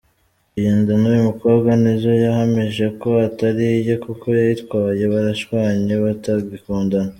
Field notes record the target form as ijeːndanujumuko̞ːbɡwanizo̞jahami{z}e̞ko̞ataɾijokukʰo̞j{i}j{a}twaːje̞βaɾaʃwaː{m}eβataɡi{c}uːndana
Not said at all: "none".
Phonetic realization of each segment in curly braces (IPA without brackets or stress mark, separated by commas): ʒ, a, i, ɲ, k